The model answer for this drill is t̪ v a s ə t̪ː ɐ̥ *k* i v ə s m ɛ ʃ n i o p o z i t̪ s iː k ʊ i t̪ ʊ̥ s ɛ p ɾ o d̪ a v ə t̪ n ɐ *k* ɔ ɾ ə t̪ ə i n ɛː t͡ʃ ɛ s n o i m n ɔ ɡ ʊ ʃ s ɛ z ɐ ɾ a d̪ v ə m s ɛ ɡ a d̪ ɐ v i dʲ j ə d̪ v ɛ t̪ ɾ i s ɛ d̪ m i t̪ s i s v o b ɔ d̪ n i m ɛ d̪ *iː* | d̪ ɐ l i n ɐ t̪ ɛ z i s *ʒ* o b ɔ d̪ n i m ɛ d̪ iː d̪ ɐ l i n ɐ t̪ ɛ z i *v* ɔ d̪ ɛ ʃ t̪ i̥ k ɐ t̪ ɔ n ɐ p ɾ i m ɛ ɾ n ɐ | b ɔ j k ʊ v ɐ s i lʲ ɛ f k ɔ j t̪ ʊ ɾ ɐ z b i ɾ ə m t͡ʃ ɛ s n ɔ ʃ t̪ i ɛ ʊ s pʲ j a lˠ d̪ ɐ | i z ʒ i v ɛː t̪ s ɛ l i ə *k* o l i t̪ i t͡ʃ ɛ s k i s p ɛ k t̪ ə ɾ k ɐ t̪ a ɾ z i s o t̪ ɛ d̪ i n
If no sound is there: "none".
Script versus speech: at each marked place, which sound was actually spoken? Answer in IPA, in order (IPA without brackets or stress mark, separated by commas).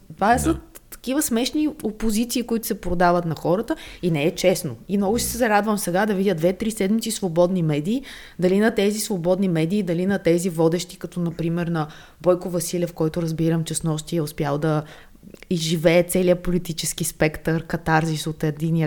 k, x, iː, v, v, p